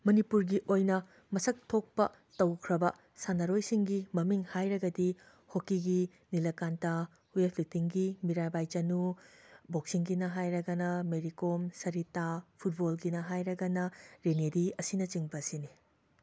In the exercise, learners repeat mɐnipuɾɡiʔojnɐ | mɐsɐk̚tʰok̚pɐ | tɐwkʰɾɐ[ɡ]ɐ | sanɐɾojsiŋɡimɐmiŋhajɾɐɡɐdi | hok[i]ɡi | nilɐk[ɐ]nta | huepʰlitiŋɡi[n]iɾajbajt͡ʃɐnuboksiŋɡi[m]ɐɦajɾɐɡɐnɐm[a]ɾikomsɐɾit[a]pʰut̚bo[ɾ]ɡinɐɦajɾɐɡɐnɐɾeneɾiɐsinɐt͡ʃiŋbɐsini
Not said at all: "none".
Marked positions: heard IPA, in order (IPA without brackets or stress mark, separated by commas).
b, i, a, m, n, e, a, l